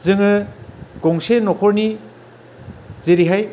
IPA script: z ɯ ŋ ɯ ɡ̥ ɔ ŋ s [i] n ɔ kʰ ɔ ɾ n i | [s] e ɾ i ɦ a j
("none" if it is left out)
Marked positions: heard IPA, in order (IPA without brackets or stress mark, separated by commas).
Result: e, z